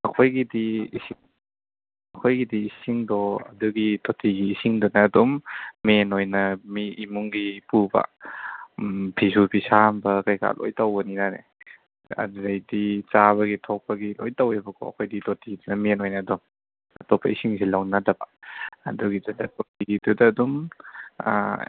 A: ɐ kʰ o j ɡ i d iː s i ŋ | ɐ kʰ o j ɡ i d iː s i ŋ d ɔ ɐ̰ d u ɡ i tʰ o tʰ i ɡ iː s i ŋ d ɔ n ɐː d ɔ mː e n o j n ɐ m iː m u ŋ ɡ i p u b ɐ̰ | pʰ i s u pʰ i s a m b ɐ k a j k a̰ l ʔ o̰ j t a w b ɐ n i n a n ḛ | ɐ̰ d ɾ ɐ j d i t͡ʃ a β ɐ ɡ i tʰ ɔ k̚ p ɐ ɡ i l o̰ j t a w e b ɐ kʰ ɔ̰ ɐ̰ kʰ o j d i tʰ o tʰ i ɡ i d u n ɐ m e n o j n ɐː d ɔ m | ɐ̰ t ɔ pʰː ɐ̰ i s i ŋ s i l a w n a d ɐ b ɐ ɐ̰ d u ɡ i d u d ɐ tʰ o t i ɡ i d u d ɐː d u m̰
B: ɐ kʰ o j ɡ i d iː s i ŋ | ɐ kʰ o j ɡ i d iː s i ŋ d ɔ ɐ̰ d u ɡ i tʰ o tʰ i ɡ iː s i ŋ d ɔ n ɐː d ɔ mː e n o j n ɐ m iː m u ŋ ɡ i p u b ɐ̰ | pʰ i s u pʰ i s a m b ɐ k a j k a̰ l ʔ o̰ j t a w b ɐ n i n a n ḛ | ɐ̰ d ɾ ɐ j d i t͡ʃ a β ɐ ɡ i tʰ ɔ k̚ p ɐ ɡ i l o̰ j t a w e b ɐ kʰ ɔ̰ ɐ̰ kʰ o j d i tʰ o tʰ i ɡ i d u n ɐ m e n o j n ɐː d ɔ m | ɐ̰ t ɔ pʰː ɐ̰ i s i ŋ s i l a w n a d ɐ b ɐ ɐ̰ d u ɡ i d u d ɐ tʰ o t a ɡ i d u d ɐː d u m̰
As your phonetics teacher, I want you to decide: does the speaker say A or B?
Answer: A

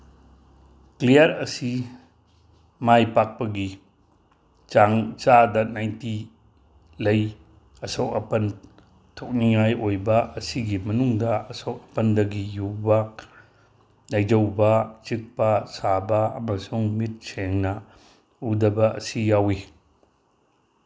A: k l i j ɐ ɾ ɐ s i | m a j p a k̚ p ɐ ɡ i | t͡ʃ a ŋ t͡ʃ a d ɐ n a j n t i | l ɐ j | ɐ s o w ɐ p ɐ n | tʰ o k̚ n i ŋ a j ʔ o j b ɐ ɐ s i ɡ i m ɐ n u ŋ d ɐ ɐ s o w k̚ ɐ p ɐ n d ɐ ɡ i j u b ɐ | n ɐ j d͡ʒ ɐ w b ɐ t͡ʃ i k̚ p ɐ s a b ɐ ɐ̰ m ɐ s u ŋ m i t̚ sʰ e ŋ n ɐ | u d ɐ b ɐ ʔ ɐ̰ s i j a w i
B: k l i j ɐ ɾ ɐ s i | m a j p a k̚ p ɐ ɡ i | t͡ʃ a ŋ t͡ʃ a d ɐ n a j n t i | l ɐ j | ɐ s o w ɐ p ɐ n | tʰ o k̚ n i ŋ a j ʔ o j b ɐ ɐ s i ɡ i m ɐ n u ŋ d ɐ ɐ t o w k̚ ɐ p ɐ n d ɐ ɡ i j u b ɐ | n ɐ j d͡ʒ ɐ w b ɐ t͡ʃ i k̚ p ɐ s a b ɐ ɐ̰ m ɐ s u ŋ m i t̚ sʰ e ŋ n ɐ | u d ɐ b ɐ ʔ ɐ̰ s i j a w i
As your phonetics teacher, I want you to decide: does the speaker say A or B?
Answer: A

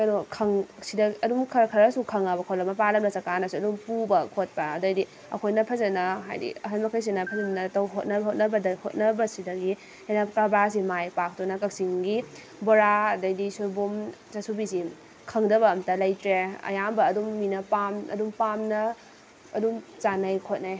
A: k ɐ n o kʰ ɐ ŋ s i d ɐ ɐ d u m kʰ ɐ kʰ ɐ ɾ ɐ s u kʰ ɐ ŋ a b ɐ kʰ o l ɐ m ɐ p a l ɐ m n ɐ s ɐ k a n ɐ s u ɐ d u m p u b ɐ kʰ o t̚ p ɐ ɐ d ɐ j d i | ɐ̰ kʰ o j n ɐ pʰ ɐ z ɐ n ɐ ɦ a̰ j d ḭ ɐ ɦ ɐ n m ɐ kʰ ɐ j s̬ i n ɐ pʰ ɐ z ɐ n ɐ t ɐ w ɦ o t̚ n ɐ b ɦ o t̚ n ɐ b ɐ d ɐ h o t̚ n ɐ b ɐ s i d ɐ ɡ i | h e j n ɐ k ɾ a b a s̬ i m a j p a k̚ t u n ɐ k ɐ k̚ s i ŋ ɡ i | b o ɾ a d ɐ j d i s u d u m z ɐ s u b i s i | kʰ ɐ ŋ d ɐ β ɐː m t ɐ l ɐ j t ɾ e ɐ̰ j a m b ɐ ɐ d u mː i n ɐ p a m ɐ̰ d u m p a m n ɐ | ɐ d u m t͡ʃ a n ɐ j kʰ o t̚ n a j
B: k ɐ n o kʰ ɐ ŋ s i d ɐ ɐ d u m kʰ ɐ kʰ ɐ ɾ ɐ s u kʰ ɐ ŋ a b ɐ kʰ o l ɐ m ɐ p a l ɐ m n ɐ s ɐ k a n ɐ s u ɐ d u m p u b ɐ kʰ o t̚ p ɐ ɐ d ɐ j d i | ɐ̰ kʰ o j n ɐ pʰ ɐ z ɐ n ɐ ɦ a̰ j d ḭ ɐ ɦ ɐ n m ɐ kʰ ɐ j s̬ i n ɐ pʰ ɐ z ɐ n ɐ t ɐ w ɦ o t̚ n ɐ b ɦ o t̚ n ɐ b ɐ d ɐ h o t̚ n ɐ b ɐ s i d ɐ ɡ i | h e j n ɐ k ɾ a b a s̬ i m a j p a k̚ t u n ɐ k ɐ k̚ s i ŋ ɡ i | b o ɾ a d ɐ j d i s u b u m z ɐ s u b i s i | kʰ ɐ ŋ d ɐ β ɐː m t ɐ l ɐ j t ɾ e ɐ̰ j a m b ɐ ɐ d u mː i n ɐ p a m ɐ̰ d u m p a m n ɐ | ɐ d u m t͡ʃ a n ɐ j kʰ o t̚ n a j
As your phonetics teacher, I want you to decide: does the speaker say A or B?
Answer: B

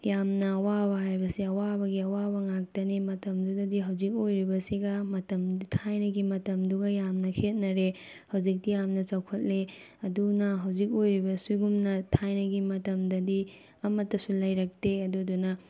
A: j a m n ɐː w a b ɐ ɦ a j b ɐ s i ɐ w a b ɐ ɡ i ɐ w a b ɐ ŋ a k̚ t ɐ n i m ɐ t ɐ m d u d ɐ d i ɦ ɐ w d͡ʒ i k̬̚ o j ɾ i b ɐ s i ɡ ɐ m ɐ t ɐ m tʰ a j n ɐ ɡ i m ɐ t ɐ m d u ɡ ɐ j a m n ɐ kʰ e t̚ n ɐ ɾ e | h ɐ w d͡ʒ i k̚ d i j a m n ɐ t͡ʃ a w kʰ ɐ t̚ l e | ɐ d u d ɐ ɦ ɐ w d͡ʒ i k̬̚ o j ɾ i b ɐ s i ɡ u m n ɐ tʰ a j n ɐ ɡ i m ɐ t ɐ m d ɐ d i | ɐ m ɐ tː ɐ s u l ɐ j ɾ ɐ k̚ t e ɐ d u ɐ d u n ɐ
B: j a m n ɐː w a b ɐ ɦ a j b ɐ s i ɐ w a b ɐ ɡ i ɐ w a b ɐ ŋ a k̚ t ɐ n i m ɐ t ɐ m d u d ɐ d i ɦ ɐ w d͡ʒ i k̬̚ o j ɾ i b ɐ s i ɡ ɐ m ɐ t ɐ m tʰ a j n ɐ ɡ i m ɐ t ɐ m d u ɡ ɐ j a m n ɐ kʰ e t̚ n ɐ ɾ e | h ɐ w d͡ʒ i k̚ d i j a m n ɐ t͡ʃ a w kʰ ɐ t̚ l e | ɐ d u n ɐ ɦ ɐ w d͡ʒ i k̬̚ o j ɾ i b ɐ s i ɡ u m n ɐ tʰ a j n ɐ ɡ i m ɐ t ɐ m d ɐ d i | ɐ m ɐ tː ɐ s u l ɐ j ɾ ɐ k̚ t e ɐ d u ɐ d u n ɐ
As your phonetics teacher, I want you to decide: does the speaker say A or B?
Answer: B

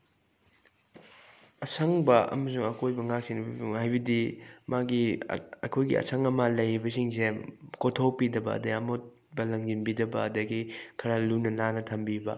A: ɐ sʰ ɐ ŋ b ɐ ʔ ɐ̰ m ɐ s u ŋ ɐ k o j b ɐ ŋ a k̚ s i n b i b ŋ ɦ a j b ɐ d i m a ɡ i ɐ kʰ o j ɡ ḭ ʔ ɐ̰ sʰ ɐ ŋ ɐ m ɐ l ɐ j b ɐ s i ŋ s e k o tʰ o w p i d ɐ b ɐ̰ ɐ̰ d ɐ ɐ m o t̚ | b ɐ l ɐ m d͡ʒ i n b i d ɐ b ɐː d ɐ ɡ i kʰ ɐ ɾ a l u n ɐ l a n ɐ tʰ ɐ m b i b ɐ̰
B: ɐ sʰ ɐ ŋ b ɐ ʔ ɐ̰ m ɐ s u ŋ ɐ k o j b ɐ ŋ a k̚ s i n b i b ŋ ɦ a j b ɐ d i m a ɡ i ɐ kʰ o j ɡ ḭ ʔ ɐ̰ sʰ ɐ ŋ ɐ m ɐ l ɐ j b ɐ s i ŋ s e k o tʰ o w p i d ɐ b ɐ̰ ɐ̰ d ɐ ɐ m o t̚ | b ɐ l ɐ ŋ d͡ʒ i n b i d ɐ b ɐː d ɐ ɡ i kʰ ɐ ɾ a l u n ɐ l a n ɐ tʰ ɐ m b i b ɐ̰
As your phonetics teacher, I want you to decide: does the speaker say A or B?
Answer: B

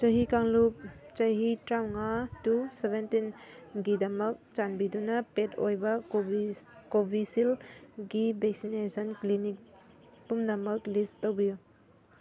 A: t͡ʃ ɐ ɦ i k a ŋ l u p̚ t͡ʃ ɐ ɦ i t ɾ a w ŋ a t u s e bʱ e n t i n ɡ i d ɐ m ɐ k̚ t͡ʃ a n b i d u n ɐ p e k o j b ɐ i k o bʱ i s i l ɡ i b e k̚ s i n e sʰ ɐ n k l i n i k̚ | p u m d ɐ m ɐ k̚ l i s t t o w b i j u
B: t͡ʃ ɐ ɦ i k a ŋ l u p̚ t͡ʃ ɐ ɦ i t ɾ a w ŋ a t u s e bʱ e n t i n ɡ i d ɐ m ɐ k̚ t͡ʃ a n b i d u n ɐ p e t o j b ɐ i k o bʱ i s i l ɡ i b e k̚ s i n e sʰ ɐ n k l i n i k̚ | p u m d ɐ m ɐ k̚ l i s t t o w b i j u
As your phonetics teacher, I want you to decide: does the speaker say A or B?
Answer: B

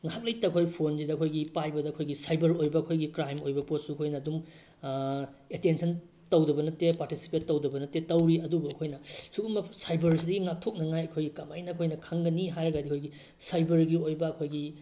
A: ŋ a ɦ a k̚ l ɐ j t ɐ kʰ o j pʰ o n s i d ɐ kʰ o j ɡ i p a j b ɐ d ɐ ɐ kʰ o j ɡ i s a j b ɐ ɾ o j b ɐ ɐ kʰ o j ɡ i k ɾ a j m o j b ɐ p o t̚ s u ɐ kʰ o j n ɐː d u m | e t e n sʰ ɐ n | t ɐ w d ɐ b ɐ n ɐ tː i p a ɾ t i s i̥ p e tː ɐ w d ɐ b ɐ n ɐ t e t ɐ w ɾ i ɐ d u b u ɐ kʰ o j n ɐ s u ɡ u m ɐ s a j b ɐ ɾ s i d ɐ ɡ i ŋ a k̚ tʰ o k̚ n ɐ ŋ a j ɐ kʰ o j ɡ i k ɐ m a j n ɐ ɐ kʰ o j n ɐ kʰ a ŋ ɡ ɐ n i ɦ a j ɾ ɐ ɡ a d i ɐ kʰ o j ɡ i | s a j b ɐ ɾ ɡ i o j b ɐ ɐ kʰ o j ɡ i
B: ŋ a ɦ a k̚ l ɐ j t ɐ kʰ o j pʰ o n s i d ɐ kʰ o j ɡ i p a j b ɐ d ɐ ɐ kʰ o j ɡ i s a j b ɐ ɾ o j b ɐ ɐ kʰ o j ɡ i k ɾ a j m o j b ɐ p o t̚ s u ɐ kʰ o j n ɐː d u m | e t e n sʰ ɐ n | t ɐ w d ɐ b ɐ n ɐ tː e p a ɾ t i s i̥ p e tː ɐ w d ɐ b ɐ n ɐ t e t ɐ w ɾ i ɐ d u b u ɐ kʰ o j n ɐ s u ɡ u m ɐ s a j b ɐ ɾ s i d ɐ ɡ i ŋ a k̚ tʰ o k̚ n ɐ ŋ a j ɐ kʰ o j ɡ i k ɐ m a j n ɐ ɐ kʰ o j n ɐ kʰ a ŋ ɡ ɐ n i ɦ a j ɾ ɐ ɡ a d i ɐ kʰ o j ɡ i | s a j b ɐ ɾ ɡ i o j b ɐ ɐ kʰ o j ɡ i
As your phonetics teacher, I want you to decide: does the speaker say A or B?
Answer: B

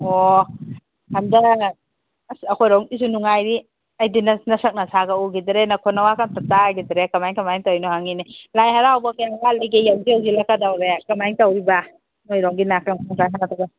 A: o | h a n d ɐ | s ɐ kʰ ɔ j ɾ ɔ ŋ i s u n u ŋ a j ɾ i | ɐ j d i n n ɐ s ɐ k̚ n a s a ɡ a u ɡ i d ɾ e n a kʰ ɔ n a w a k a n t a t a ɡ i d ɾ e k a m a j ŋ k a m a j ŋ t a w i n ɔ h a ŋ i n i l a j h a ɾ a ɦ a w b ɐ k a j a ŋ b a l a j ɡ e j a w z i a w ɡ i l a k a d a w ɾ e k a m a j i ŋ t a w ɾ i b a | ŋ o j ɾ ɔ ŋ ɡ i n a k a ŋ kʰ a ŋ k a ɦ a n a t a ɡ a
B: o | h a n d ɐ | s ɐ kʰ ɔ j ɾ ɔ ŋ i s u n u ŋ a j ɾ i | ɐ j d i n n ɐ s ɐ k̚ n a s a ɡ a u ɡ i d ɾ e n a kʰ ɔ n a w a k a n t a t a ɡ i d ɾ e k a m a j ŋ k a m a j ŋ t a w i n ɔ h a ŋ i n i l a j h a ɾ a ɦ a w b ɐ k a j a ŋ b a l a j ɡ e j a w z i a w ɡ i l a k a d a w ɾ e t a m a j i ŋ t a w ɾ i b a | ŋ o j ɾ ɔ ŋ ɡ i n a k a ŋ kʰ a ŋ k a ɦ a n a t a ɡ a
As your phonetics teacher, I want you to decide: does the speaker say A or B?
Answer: A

